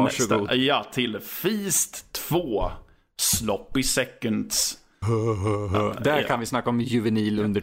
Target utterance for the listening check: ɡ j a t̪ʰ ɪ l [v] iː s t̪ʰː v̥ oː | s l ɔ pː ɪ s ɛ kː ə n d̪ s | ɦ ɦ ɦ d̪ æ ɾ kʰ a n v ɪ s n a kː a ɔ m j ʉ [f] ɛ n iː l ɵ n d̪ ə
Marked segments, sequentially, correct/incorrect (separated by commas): incorrect, incorrect